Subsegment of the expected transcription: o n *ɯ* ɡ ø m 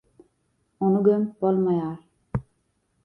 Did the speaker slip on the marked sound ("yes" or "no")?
yes